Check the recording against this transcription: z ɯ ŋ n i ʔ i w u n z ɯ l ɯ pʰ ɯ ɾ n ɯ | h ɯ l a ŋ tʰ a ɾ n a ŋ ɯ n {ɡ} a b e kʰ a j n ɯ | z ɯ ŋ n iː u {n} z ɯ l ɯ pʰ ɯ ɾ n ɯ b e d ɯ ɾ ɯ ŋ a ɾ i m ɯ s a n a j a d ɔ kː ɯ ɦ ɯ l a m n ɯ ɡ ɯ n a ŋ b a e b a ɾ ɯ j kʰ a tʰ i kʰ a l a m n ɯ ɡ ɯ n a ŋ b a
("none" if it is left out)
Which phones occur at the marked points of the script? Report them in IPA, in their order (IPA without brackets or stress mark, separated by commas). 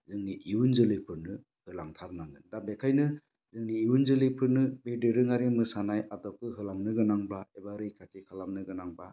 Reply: d, n